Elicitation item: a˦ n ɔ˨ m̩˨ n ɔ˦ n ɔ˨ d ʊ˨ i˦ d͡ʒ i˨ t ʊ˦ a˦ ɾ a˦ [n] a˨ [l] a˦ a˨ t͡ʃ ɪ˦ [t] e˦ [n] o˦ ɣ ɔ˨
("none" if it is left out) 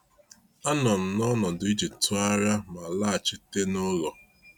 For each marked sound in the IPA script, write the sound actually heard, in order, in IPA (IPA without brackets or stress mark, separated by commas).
m, l, t, n